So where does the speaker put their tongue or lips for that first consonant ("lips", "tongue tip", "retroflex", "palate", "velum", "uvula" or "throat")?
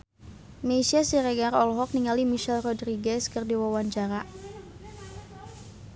lips